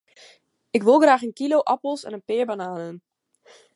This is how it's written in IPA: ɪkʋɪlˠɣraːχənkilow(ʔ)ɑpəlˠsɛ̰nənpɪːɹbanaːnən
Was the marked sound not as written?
no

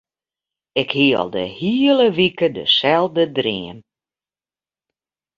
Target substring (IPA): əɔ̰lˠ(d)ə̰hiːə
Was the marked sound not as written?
no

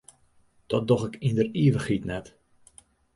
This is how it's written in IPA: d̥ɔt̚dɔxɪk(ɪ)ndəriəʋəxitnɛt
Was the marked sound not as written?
yes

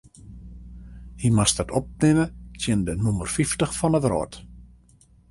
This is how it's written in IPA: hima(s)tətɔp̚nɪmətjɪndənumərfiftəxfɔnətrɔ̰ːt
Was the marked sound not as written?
no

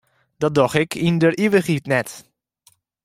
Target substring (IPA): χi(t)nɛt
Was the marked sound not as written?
no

